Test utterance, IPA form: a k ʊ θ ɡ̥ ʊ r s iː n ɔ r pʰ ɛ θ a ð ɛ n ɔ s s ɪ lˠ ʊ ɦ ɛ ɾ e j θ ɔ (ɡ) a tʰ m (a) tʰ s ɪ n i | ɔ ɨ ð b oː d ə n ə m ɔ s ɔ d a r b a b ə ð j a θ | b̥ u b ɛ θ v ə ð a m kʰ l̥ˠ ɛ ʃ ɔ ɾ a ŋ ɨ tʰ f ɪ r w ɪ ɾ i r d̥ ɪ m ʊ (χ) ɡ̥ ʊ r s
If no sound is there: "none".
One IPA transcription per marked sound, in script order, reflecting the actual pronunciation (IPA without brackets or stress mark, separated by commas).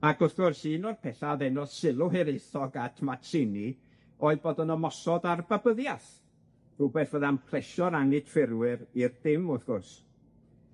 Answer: ɡ, a, θ